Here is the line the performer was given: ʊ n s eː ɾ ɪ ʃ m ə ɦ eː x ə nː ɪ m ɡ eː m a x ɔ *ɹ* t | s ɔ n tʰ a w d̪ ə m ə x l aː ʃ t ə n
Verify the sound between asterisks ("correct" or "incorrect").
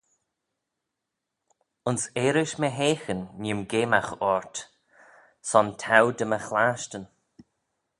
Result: correct